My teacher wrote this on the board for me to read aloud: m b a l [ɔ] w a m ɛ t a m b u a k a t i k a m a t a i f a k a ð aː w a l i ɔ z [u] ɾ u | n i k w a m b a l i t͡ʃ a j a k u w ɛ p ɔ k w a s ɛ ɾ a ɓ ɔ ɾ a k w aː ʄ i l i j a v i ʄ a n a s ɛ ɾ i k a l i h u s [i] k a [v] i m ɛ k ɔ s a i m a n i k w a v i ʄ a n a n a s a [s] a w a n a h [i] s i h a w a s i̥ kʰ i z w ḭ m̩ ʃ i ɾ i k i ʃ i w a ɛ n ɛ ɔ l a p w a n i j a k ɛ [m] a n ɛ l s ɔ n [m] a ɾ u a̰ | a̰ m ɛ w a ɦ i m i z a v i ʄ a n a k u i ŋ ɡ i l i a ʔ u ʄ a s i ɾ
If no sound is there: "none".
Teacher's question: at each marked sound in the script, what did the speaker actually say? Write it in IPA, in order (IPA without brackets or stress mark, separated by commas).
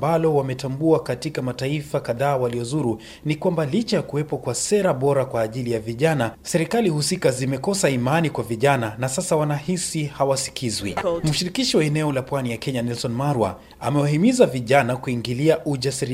ɔ, u, i, z, s, i, ɲ, m